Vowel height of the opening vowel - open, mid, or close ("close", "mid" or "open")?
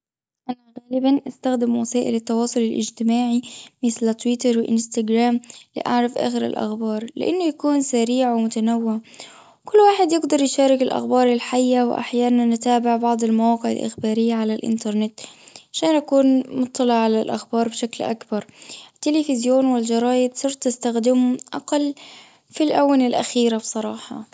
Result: open